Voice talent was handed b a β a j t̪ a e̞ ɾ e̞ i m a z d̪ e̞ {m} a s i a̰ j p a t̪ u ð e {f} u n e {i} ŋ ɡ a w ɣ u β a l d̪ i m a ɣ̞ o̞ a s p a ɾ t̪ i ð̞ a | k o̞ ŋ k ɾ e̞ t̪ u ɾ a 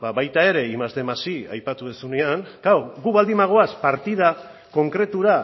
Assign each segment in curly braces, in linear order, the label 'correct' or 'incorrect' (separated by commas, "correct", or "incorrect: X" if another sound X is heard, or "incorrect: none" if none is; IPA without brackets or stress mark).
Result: correct, incorrect: s, incorrect: a